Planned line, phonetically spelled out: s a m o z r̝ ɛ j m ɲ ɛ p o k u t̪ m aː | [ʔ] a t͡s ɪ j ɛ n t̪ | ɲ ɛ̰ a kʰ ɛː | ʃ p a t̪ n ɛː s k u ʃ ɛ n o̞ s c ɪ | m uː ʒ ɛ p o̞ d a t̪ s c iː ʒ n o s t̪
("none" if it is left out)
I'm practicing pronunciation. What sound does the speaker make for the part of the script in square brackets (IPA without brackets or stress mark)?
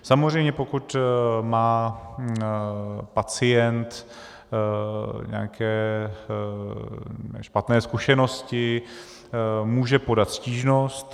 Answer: p